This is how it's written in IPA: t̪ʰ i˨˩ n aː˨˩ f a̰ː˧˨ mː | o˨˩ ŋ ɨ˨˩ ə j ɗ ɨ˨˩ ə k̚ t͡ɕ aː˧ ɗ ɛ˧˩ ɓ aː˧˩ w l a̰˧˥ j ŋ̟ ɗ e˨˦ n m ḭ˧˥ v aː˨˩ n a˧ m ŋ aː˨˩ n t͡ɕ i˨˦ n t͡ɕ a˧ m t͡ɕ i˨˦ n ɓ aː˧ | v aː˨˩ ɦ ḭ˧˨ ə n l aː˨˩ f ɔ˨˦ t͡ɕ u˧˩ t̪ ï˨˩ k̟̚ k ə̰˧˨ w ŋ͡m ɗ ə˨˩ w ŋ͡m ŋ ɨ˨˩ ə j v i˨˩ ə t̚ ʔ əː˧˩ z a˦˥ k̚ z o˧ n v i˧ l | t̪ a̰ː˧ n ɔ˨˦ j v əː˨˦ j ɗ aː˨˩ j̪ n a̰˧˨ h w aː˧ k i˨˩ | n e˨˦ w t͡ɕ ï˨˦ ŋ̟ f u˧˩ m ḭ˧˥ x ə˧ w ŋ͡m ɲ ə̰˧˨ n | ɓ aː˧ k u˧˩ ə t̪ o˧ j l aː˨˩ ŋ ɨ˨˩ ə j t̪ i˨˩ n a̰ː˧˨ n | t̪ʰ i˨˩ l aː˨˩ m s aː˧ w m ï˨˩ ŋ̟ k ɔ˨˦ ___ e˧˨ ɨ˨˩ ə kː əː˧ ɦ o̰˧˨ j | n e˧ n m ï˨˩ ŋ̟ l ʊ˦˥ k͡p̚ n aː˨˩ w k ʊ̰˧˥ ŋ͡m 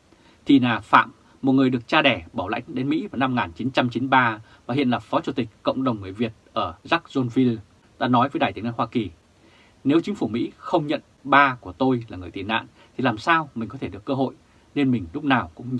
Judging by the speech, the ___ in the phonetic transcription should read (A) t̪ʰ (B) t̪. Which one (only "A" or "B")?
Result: A